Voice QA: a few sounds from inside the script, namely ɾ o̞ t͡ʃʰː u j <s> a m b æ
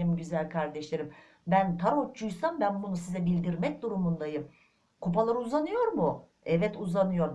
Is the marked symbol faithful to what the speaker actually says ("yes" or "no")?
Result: yes